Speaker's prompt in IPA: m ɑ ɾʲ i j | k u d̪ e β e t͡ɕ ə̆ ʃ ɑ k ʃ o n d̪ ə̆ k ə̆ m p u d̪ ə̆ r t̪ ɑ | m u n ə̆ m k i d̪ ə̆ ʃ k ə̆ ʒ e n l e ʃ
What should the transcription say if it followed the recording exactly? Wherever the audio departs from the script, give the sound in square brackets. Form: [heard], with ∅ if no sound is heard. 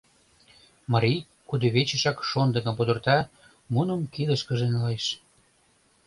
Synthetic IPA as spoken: m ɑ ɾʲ i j | k u d̪ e β e t͡ɕ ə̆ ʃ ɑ k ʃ o n d̪ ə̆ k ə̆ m p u d̪ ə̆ r t̪ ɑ | m u n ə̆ m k i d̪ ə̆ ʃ k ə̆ ʒ e n l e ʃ